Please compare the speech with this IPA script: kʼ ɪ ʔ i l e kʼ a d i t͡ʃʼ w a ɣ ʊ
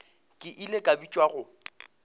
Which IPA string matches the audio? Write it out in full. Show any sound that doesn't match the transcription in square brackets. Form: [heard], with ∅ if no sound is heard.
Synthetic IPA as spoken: kʼ ɪ ʔ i l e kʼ a [b] i t͡ʃʼ w a ɣ ʊ